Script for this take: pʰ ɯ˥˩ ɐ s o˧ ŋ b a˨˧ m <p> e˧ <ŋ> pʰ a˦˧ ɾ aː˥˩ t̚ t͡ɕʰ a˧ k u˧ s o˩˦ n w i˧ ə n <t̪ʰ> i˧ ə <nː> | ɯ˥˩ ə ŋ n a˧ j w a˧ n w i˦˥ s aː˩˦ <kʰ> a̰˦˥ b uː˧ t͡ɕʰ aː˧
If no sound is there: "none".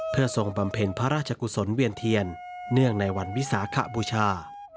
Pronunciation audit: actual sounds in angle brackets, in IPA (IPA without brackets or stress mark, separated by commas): pʰ, n, t̪ʰ, nː, kʰ